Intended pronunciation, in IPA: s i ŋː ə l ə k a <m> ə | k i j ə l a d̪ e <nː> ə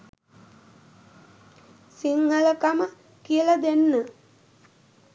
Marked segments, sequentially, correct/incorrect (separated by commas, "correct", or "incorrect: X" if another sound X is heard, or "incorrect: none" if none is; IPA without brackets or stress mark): correct, correct